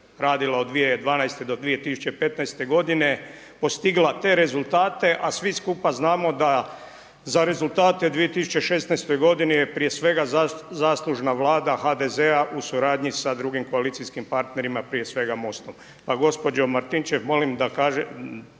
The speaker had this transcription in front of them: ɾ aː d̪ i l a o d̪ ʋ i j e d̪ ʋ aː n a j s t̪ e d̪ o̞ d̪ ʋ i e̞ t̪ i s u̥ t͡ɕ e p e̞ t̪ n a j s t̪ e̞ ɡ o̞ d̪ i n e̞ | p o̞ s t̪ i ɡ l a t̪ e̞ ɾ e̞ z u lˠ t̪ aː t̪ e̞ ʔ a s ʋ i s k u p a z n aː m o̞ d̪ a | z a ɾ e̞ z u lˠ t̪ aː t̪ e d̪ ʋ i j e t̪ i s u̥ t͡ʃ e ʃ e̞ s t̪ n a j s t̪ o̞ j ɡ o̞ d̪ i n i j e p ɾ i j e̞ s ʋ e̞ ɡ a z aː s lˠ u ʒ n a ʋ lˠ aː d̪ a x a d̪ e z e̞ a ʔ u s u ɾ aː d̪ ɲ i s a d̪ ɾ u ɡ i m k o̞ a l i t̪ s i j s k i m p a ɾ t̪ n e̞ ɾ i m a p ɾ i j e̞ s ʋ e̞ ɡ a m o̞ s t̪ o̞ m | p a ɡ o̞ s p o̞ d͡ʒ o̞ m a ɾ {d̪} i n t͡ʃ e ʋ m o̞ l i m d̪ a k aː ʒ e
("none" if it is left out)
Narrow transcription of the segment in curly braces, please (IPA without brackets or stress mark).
t̪